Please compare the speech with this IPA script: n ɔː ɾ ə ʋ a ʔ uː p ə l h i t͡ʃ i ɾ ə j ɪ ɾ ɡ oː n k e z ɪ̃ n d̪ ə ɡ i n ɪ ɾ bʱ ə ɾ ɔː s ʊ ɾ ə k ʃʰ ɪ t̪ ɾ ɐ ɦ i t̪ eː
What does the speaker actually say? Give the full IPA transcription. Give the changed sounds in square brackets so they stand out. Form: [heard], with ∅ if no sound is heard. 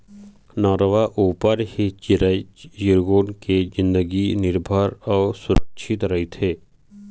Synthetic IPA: n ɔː ɾ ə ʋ a ʔ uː p ə [ɾ] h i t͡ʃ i ɾ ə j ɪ ɾ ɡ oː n k e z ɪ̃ n d̪ ə ɡ i n ɪ ɾ bʱ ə ɾ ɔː s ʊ ɾ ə k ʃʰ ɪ t̪ ɾ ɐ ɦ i [t̪ʰ] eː